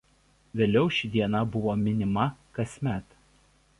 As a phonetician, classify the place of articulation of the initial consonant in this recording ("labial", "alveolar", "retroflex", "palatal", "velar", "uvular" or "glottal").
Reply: labial